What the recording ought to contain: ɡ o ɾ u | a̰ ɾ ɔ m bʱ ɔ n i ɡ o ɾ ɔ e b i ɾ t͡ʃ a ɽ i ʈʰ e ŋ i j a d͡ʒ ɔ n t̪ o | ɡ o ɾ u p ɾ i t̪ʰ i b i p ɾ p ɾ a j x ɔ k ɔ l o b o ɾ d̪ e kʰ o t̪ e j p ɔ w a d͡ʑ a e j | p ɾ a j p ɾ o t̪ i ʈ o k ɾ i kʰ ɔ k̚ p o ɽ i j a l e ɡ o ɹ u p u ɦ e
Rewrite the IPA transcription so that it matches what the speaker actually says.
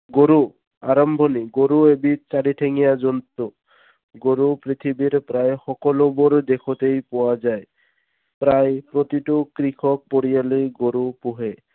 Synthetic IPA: ɡ o ɾ u | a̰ ɾ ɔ m bʱ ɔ n i ɡ o ɾ u e b i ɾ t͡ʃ a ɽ i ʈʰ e ŋ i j a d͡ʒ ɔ n t̪ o | ɡ o ɾ u p ɾ i t̪ʰ i b i ɾ p ɾ a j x ɔ k ɔ l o b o ɾ d̪ e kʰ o t̪ e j p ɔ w a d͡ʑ a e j | p ɾ a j p ɾ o t̪ i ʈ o k ɾ i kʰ ɔ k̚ p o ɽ i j a l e ɡ o ɾ u p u ɦ e